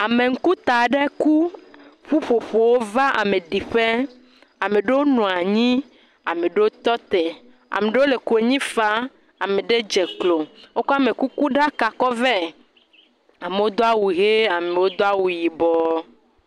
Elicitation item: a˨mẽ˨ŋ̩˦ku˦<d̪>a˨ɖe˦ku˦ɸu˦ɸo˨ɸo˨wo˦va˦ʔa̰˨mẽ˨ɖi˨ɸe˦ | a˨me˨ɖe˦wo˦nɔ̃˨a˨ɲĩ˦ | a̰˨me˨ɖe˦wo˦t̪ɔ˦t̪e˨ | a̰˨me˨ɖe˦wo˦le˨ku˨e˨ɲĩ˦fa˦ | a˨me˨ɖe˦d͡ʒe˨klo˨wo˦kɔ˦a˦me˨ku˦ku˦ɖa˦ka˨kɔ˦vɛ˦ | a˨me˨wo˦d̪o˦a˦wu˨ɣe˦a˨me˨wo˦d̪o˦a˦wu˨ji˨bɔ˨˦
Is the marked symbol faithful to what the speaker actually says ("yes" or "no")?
no